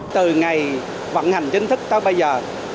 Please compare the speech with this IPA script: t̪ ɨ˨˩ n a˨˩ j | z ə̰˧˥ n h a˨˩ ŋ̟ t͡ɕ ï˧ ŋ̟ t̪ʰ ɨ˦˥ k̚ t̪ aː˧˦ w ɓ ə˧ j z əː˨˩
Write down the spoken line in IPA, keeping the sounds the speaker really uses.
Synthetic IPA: t̪ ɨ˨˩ ŋ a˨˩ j | v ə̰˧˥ n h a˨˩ ŋ̟ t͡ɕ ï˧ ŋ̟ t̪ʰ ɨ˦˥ k̚ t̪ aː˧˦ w ɓ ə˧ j z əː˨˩

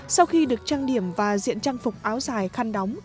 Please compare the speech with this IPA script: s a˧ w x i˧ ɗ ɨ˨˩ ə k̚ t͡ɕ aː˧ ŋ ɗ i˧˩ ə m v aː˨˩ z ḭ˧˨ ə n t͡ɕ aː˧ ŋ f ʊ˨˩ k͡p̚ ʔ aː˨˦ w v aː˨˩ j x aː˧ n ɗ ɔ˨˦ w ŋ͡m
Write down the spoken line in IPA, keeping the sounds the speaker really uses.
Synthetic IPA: s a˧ w x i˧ ɗ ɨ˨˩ ə k̚ t͡ɕ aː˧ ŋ ɗ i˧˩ ə m v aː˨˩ z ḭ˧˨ ə n t͡ɕ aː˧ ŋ f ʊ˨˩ k͡p̚ ʔ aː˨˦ w z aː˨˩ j x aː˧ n ɗ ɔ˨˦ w ŋ͡m

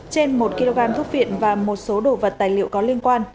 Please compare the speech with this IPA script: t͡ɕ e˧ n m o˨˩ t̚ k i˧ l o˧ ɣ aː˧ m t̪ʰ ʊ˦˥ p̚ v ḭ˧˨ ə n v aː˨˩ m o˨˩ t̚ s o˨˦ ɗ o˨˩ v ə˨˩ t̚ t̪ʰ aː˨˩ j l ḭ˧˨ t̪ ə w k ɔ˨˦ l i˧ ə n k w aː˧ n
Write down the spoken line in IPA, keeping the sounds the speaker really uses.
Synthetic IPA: t͡ɕ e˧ n m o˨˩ t̚ k i˧ l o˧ ɣ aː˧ m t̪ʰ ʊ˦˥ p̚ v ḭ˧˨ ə n v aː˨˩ m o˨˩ t̚ s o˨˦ ɗ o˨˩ v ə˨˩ t̚ t̪ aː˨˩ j l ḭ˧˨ ə w k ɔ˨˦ l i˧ ə n k w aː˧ n

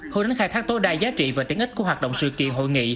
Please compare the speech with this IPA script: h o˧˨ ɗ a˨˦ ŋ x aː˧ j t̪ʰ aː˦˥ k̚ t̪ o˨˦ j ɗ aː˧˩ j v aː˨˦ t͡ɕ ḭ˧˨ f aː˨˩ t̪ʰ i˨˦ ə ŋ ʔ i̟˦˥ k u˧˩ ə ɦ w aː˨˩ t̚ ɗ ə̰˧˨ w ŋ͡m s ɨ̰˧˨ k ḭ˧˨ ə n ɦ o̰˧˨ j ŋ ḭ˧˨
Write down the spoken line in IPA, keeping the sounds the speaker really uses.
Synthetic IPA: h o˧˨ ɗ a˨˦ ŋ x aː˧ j t̪ʰ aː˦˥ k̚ t̪ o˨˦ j ɗ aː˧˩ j z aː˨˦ t͡ɕ ḭ˧˨ v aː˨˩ t̪ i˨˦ ə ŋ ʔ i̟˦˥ k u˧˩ ə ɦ w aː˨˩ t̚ ɗ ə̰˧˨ w ŋ͡m s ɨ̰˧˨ k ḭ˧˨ ə n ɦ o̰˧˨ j ŋ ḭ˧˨

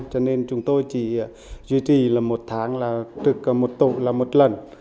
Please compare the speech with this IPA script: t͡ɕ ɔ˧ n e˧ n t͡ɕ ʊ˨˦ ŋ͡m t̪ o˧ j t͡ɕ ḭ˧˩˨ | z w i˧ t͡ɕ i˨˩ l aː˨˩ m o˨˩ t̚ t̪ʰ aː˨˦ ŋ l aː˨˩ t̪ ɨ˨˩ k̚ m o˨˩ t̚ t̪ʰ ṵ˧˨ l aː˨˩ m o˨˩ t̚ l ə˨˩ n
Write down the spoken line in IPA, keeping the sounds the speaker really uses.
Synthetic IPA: t͡ɕ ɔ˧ n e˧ n t͡ɕ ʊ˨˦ ŋ͡m t̪ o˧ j t͡ɕ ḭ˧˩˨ | z w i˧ t͡ɕ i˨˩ l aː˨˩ m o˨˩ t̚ t̪ʰ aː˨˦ ŋ l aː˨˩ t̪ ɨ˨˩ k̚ m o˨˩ t̚ t̪ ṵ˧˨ l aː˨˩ m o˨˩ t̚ l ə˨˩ n

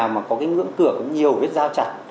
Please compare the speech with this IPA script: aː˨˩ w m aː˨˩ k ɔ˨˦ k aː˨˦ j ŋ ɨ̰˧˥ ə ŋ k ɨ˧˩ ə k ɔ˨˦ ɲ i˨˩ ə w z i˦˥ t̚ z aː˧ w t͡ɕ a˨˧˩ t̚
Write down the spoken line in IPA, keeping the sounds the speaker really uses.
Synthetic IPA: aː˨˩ w m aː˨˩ k ɔ˨˦ k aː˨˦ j ŋ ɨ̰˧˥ ə ŋ k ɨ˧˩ ə k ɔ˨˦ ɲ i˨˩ ə w v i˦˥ t̚ z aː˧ w t͡ɕ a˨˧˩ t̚

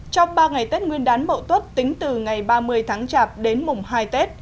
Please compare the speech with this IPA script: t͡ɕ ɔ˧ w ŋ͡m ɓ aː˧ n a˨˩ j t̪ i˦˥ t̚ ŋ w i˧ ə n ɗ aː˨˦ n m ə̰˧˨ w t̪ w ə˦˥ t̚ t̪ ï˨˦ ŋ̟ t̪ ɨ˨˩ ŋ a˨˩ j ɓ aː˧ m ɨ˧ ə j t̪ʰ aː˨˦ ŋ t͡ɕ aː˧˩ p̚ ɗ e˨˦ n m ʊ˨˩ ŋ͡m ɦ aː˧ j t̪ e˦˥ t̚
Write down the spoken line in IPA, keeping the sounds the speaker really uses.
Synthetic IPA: t͡ɕ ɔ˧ w ŋ͡m ɓ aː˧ ŋ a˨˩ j t̪ e˦˥ t̚ ŋ w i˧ ə n ɗ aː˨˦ n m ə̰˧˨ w t̪ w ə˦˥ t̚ t̪ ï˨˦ ŋ̟ t̪ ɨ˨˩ ŋ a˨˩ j ɓ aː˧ m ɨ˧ ə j t̪ʰ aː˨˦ ŋ t͡ɕ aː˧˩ p̚ ɗ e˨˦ n m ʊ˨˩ ŋ͡m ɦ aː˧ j t̪ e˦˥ t̚

